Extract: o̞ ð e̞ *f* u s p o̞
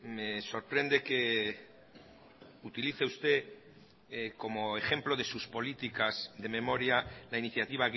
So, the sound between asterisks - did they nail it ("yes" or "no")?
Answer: no